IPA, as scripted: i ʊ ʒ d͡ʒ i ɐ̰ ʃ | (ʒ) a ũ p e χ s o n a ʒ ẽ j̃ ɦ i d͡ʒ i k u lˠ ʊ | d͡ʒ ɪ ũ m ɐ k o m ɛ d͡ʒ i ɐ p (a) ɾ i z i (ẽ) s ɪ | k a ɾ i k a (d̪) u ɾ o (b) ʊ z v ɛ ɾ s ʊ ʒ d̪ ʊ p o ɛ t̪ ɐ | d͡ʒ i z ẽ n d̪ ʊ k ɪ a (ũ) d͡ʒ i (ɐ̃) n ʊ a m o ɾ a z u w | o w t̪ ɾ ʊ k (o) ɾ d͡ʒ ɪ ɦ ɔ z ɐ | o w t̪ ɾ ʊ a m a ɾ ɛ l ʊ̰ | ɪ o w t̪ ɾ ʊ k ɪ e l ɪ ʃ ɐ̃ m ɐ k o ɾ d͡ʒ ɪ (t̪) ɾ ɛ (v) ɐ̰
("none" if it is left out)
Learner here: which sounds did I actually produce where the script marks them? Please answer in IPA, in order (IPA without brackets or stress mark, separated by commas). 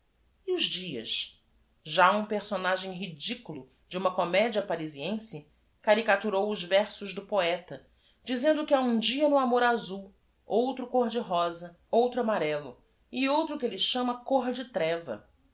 ʒ, a, ẽ, t̪, w, ũ, ɐ, o, t̪, v